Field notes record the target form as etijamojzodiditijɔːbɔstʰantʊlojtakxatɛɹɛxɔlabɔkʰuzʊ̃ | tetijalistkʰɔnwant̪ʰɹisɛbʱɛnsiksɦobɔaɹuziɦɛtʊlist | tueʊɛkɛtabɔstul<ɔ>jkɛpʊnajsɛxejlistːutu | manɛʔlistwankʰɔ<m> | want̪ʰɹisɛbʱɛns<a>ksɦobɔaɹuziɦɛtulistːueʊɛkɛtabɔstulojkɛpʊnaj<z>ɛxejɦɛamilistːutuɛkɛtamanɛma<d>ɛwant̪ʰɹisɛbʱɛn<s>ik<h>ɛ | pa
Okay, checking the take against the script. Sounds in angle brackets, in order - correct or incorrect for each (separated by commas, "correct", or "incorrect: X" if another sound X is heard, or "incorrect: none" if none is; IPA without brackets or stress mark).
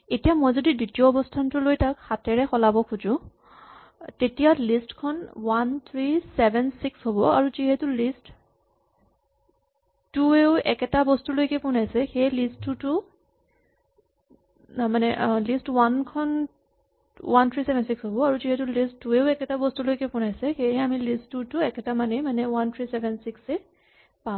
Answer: incorrect: o, incorrect: n, incorrect: i, incorrect: s, incorrect: n, correct, incorrect: s